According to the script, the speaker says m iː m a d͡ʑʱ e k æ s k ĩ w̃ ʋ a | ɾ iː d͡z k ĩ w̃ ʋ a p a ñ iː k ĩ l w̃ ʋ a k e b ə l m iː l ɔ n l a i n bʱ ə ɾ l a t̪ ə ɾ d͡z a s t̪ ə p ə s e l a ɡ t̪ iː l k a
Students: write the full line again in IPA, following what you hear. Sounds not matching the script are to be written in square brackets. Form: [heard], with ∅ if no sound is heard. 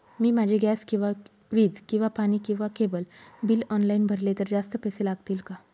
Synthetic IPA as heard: m iː m a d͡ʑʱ e [ɡ] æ s k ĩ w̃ ʋ a | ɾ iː d͡z k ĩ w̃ ʋ a p a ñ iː k ĩ [∅] w̃ ʋ a k e b ə l [b] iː l ɔ n l a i n bʱ ə ɾ l [e] t̪ ə ɾ d͡z a s t̪ ə p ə s e l a ɡ t̪ iː l k a

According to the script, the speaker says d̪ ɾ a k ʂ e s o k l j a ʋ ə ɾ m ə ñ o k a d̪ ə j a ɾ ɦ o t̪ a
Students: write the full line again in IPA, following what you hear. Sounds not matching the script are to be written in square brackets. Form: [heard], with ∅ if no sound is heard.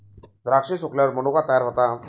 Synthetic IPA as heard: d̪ ɾ a k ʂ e s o k l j a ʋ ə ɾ m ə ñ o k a [t̪] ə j a ɾ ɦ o t̪ a

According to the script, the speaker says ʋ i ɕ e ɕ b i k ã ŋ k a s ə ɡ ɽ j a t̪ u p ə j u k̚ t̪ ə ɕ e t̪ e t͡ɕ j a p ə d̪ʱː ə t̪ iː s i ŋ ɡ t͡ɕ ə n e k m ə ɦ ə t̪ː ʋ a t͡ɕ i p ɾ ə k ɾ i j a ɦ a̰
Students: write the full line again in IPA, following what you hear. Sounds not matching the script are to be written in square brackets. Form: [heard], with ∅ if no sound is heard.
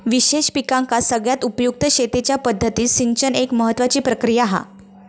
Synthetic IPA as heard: ʋ i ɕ e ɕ [p] i k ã ŋ k a s ə ɡ [ɭ] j a t̪ u p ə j u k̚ t̪ ə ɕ e t̪ e t͡ɕ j a p ə d̪ʱː ə t̪ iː s i ŋ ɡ t͡ɕ ə n e k m ə ɦ ə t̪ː ʋ a t͡ɕ [iː] p ɾ ə k ɾ i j a ɦ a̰

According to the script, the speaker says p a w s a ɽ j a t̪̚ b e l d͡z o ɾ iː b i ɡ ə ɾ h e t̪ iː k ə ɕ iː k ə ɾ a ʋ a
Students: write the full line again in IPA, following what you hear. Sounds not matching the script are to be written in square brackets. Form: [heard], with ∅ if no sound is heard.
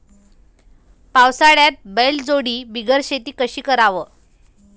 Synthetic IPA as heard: p a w s a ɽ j a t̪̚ b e l d͡z o [ɽ] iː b i ɡ ə ɾ [ɕ] e t̪ iː k ə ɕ iː k ə ɾ a ʋ [ə]

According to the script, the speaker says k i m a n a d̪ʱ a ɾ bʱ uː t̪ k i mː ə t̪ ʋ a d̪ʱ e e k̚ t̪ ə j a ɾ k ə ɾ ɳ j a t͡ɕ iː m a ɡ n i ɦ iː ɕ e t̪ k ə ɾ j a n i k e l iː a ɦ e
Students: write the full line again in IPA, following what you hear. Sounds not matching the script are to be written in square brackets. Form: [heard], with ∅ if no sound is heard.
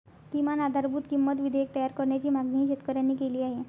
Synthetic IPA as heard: k i m a n a d̪ʱ a ɾ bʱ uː t̪ k i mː ə t̪ ʋ [i] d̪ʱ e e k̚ t̪ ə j a ɾ k ə ɾ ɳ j a t͡ɕ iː m a ɡ n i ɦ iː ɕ e t̪ k ə ɾ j a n i k e l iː a ɦ e

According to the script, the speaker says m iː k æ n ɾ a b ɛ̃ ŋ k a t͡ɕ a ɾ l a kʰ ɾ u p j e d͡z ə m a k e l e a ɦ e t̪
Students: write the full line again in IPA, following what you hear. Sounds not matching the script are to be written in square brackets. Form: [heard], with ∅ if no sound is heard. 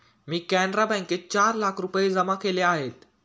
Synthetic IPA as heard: m iː k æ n ɾ a b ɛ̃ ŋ k [e] t͡ɕ a ɾ l a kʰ ɾ u p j e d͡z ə m a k e l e a ɦ e t̪

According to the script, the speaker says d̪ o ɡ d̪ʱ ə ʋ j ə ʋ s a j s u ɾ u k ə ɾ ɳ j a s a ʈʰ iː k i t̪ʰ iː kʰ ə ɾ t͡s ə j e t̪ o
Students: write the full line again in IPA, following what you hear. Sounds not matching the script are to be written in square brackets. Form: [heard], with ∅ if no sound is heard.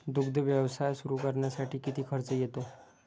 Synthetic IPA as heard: d̪ [u] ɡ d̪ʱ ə ʋ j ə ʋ s a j s u ɾ u k ə ɾ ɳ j a s a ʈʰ iː k i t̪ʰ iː kʰ ə ɾ t͡s ə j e t̪ o

